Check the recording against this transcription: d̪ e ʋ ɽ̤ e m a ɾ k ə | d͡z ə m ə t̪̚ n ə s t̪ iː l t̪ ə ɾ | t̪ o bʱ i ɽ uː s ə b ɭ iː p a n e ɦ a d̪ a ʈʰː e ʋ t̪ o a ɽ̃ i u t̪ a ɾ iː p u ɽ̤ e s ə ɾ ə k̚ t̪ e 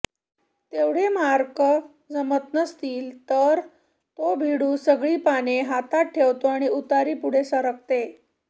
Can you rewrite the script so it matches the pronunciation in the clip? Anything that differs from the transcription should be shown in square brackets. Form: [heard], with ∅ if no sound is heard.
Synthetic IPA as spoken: [t̪] e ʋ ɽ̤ e m a ɾ k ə | d͡z ə m ə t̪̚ n ə s t̪ iː l t̪ ə ɾ | t̪ o bʱ i ɽ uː s ə [ɡ] ɭ iː p a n e ɦ a [t̪] a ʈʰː e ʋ t̪ o a ɽ̃ i u t̪ a ɾ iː p u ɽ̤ e s ə ɾ ə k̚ t̪ e